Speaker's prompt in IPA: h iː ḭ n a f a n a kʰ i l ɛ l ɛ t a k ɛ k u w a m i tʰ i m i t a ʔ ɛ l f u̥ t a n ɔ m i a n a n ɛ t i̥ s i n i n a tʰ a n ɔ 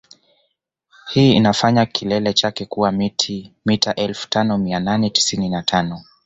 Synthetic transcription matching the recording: h iː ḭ n a f a ɲ a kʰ i l ɛ l ɛ t͡ʃ a k ɛ k u w a m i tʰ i m i t a ʔ ɛ l f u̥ t a n ɔ m i a n a n ɛ t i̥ s i n i n a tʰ a n ɔ